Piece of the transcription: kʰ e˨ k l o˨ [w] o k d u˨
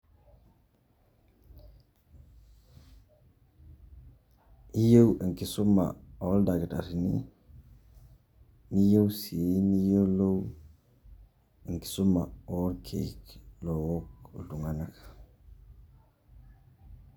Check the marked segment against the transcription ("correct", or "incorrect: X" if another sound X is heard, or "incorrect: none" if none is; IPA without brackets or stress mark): correct